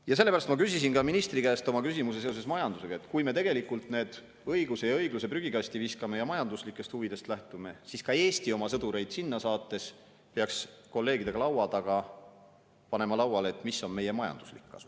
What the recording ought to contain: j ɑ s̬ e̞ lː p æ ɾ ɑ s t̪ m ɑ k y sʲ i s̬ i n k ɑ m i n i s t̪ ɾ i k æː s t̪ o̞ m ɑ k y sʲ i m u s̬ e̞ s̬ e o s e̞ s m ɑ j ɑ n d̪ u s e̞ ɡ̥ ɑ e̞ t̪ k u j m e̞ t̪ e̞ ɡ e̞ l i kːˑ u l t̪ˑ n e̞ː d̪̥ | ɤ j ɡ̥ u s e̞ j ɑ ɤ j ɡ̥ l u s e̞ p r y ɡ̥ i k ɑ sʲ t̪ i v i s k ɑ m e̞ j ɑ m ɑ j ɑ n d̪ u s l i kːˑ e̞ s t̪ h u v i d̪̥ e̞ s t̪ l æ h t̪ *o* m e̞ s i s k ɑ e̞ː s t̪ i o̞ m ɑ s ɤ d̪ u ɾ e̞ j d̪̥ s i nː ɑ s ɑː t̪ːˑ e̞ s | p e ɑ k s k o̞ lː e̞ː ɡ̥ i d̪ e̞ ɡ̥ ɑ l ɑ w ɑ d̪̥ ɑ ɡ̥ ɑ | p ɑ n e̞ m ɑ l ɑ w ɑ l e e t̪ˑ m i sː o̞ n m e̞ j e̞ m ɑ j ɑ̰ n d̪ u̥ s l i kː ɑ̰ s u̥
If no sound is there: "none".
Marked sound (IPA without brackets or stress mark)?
u